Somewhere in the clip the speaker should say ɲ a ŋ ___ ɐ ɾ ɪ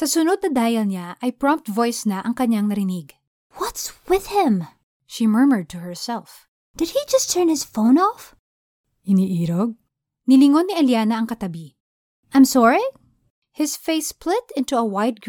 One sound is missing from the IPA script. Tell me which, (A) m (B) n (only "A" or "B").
B